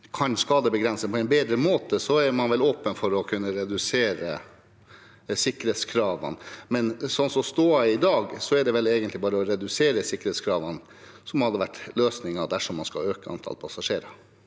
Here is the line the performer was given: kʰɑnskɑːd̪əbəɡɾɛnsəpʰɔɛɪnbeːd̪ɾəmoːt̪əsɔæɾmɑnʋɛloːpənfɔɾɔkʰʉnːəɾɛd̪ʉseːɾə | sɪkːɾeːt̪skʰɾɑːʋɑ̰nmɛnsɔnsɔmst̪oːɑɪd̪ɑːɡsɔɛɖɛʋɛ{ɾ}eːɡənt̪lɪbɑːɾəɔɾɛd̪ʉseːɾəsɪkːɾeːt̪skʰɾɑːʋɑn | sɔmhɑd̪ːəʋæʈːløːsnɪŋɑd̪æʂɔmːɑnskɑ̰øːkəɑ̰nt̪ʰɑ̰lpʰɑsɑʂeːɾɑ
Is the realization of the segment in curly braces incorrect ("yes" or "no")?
yes